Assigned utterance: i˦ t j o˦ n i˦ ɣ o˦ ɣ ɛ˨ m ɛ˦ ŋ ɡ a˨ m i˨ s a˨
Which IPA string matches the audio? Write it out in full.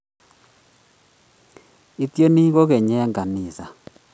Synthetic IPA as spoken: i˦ t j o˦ n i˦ ɣ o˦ ɣ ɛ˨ ɲ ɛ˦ ŋ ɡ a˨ n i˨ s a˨